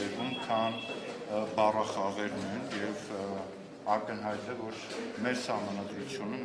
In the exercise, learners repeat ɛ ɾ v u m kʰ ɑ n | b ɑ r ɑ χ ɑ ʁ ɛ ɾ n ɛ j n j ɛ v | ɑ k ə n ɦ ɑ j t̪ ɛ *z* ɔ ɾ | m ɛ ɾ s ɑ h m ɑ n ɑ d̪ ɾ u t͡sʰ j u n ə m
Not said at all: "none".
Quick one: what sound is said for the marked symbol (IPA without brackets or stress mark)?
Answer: v